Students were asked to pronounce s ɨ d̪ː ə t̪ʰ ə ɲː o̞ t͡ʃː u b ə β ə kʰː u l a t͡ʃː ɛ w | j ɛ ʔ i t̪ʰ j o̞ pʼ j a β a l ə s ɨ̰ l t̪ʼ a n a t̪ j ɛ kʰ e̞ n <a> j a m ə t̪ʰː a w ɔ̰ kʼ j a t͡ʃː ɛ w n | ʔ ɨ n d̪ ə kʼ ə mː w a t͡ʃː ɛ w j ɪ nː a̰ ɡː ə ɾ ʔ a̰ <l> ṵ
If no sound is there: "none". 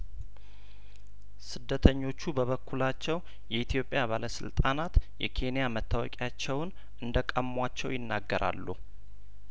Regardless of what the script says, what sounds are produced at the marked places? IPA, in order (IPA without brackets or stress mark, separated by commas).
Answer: i, lː